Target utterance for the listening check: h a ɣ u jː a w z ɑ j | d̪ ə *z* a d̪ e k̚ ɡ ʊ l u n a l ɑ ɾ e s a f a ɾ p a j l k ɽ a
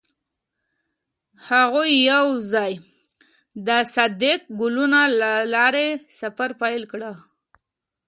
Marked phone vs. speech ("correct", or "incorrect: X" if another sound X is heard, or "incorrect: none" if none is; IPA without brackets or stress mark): incorrect: s